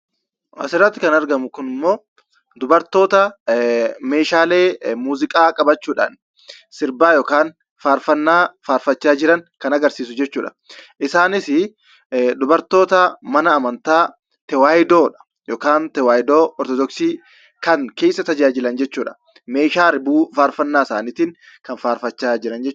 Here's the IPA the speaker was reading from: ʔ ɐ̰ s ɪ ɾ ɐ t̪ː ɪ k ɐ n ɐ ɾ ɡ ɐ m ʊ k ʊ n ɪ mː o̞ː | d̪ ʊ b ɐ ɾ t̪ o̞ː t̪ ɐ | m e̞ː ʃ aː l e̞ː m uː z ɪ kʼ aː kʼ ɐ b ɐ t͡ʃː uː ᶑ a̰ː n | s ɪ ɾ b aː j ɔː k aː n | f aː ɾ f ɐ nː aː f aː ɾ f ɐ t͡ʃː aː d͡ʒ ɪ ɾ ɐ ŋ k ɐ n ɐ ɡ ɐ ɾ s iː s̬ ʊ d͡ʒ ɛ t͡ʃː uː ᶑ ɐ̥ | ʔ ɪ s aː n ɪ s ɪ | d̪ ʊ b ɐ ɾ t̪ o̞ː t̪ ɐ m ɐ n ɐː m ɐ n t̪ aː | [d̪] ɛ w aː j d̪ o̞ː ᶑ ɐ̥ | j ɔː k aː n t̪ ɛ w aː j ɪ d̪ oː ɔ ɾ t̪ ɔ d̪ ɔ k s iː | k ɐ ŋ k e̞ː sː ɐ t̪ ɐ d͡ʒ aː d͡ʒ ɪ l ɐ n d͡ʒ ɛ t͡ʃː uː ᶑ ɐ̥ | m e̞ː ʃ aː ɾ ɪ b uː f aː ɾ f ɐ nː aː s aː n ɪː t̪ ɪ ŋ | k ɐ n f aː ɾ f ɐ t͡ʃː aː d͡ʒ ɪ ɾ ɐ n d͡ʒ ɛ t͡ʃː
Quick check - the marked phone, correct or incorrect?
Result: incorrect: t̪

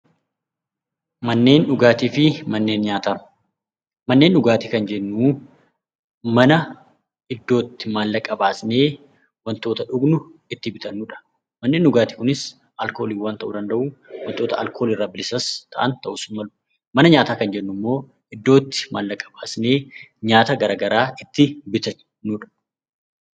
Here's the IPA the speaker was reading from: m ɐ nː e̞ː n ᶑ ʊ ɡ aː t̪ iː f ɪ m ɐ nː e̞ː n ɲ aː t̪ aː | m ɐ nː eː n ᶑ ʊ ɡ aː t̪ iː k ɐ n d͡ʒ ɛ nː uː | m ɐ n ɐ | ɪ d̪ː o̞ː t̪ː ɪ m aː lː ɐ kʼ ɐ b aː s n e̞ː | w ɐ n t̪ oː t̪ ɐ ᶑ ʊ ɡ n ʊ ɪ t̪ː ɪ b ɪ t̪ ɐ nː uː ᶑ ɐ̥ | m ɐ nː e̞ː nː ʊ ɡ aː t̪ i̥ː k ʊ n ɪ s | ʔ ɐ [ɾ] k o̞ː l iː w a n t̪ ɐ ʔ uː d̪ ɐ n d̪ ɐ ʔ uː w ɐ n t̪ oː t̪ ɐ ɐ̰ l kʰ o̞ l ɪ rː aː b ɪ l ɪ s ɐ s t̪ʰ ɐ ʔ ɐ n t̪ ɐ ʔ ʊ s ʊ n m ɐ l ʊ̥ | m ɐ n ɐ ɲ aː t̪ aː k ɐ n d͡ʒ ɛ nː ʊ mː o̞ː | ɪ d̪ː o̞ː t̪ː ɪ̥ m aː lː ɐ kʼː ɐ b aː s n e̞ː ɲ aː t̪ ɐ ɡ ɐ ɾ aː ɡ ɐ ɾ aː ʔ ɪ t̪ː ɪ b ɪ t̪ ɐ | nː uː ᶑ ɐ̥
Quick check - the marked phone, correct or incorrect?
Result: incorrect: l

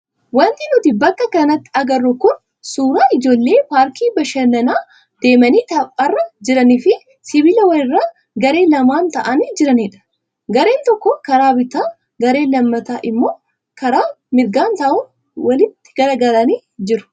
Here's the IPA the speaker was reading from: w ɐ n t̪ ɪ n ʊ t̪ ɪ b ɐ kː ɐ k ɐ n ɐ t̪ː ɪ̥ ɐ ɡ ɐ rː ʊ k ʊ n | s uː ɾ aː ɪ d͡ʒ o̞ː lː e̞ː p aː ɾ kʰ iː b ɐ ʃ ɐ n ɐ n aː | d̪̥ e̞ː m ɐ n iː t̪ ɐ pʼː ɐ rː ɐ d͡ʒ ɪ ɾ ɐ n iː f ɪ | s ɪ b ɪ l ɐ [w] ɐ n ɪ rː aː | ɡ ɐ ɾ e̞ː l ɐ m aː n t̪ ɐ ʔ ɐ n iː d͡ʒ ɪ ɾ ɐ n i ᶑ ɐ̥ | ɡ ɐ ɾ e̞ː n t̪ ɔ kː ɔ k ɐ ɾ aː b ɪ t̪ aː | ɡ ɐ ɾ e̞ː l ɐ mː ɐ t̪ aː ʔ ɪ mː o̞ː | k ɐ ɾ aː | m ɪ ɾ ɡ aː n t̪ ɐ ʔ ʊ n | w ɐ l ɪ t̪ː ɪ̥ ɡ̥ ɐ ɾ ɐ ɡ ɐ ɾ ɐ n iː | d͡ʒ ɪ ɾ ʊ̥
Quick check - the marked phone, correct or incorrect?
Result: correct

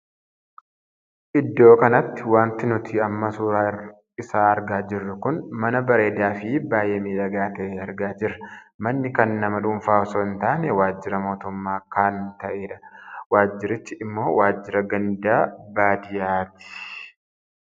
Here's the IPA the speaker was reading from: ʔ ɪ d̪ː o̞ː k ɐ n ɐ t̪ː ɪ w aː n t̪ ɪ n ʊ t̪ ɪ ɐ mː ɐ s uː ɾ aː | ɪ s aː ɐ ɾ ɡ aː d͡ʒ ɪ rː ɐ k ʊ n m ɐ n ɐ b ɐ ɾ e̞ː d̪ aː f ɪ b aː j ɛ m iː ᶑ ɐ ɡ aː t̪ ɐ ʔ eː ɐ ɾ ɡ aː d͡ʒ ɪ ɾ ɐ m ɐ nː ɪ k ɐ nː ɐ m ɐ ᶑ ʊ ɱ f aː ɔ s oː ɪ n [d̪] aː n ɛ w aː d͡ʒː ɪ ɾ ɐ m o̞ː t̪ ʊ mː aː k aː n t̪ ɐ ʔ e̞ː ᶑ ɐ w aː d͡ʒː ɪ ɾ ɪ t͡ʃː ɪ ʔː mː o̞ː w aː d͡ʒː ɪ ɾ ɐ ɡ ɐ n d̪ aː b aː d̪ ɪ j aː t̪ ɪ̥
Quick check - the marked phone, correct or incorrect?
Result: incorrect: t̪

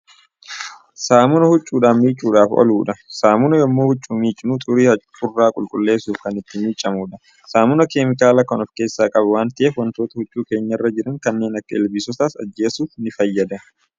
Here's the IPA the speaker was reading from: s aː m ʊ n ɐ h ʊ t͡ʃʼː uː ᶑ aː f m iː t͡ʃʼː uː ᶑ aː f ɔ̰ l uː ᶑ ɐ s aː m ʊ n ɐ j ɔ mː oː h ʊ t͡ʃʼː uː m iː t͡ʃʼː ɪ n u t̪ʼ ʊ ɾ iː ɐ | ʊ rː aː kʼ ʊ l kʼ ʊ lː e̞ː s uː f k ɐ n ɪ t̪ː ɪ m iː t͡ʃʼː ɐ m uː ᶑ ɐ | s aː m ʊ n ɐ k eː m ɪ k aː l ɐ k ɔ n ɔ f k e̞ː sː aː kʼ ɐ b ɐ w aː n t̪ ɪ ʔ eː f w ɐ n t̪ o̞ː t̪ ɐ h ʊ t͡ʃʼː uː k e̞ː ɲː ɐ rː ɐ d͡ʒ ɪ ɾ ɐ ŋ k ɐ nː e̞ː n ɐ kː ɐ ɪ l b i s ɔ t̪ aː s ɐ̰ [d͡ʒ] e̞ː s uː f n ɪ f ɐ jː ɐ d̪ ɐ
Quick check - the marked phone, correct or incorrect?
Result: incorrect: d͡ʒː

